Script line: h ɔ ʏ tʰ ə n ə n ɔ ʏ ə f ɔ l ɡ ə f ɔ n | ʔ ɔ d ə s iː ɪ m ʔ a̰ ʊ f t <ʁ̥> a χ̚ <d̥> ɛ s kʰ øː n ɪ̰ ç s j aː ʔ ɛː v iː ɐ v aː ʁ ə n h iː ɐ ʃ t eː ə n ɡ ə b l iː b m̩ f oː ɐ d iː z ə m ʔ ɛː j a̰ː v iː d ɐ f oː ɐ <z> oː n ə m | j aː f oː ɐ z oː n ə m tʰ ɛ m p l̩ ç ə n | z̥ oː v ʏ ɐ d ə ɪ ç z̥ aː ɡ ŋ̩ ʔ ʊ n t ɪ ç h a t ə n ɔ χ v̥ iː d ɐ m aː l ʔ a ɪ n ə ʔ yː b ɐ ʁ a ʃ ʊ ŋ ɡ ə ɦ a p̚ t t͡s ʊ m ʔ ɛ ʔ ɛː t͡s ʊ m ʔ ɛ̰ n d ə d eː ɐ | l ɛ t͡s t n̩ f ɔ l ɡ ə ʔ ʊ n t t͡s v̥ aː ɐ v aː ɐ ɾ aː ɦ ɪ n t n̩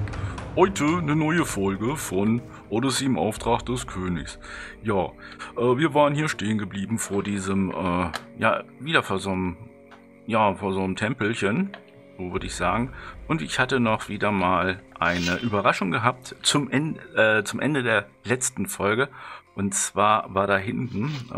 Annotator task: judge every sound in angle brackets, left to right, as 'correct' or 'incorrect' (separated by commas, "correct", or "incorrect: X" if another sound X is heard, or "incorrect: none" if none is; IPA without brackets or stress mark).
correct, correct, correct